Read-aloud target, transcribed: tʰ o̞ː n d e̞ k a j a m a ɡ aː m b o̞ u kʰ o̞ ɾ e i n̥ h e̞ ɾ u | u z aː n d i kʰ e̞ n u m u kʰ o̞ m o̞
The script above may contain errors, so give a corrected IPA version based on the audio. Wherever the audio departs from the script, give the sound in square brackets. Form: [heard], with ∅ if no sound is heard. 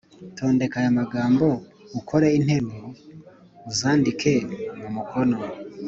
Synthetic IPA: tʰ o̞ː n d e̞ k a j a m a ɡ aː m b o̞ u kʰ o̞ ɾ e i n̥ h e̞ ɾ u | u z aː n d i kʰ e̞ [m] u m u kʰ o̞ [n] o̞